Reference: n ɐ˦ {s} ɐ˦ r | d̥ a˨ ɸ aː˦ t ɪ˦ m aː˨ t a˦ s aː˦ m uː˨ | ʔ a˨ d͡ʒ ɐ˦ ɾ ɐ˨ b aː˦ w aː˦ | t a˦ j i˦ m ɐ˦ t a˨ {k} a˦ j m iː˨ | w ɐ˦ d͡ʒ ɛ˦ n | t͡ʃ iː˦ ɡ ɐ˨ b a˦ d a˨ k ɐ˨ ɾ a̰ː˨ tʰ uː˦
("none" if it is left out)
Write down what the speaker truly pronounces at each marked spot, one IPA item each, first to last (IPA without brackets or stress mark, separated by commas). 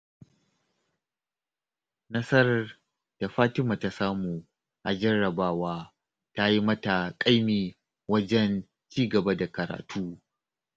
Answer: s, kʼ